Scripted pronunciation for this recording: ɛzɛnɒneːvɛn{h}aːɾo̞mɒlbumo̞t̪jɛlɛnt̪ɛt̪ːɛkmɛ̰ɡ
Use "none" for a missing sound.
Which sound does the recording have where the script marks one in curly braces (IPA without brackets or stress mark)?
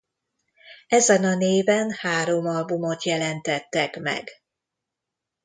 h